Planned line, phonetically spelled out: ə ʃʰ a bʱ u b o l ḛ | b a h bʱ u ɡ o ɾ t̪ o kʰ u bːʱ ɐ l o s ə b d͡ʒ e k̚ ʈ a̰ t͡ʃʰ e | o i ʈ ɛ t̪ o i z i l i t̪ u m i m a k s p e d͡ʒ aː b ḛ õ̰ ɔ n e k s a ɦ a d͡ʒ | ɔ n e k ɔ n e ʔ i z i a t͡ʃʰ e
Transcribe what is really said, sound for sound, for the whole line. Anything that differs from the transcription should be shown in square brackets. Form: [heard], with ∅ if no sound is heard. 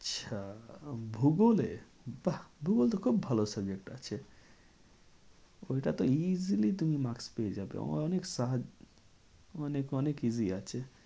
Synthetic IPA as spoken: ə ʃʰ a bʱ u [ɡ] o l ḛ | b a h bʱ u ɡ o [l] t̪ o kʰ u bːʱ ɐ l o s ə b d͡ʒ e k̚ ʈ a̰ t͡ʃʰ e | o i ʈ [a] t̪ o i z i l i t̪ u m i m a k s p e d͡ʒ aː b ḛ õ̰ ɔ n e k s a ɦ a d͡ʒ | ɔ n e k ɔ n e [k] i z i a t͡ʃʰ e